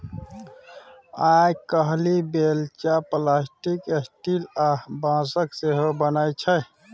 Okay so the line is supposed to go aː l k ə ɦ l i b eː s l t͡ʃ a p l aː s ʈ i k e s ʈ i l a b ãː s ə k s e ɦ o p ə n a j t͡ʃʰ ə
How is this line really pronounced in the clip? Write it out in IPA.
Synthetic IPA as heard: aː k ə ɦ l i b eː l t͡ʃ a p l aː s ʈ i k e s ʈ i l a b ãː s ə k s e ɦ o b ə n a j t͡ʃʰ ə